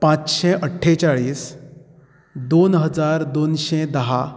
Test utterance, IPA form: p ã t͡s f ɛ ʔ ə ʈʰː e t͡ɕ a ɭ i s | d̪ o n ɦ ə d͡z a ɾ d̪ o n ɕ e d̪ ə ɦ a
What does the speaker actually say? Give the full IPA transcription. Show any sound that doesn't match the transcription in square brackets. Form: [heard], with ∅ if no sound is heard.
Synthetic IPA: p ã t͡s [ɕ] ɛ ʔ ə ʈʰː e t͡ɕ a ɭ [iː] s | d̪ o n ɦ ə d͡z a ɾ d̪ o n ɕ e d̪ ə ɦ a